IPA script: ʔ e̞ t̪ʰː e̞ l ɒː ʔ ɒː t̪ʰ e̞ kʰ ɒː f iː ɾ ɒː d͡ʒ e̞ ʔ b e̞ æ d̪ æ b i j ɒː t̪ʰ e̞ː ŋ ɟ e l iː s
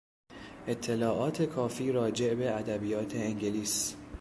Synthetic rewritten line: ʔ e̞ t̪ʰː e̞ l ɒː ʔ ɒː t̪ʰ e̞ kʰ ɒː f iː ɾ ɒː d͡ʒ e̞ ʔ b e̞ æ d̪ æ b i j ɒː t̪ʰ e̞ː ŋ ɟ e l iː s